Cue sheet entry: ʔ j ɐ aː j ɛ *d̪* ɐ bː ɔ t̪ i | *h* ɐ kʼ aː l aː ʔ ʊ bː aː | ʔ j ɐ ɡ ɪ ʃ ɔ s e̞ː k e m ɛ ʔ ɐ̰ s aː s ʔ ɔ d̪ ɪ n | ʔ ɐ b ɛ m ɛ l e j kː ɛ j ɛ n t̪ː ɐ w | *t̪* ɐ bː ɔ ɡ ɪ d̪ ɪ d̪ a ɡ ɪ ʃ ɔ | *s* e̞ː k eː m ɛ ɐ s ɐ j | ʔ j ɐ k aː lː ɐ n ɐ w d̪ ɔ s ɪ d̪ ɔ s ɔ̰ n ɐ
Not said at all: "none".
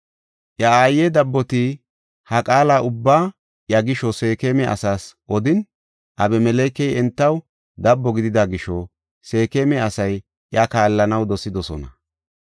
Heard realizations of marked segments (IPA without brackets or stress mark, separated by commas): d̪, h, d̪, s